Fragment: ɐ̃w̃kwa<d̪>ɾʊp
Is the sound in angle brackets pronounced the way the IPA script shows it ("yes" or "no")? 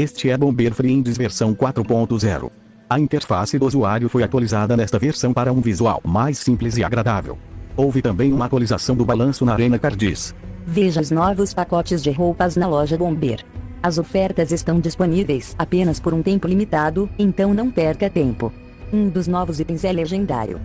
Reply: no